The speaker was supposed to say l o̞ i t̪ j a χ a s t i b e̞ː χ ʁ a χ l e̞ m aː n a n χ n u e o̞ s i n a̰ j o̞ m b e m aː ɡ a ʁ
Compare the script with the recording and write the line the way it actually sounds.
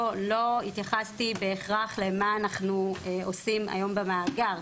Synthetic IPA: l o̞ i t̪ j a χ a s t i b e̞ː χ ʁ a χ l e̞ m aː n a χ n u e o̞ s i m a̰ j o̞ m b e m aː ɡ a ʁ